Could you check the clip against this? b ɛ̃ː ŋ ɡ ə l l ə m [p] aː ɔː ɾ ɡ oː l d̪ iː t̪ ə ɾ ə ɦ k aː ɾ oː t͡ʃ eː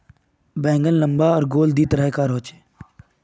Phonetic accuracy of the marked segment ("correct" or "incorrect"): incorrect